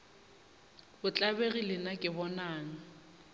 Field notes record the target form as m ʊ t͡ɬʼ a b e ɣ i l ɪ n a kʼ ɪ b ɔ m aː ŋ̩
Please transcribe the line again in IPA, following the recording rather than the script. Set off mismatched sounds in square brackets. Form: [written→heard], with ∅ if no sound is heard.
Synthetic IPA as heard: [m→b] ʊ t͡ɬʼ a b e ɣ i l ɪ n a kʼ ɪ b ɔ [m→n] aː ŋ̩